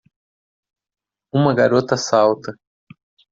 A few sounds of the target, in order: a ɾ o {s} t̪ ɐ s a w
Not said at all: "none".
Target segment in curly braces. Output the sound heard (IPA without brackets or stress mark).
none